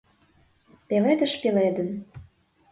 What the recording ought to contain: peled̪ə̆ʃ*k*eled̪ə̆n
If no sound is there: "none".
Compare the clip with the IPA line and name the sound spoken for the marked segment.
p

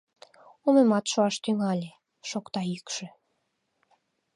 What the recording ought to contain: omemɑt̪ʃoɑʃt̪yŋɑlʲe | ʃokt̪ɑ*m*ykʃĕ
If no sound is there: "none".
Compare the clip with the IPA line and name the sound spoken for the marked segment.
none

